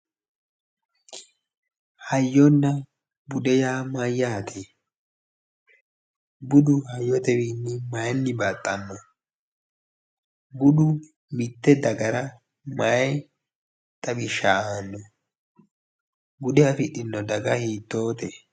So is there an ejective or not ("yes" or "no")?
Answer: yes